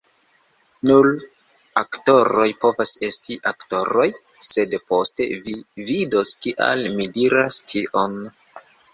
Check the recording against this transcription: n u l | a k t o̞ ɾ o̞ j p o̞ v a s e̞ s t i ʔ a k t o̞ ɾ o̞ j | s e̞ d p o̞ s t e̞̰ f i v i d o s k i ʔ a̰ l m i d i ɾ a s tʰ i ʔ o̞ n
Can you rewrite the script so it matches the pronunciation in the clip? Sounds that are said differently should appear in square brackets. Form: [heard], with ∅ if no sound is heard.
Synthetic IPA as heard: n u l | a k t o̞ ɾ o̞ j p o̞ v a s e̞ s t i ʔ a k t o̞ ɾ o̞ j | s e̞ d p o̞ s t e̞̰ [v] i v i d o s k i ʔ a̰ l m i d i ɾ a s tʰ i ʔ o̞ n